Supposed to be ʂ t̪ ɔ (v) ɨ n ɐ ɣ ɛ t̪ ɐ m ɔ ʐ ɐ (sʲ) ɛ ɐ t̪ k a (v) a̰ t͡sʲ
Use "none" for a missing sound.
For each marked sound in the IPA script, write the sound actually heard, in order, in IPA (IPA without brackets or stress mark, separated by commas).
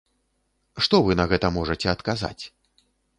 v, t͡sʲ, z